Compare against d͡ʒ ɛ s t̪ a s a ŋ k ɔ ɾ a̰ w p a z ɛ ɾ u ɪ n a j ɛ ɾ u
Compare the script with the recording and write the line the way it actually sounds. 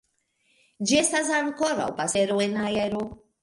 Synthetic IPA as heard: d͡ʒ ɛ s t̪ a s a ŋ k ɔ ɾ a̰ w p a s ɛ ɾ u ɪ n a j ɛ ɾ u